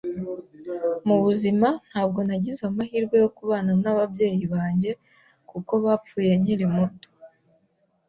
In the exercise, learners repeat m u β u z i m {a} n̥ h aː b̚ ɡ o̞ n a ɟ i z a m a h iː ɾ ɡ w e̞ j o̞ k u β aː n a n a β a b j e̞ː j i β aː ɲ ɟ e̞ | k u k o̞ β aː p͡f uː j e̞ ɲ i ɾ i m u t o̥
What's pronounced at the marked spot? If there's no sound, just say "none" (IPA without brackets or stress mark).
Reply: a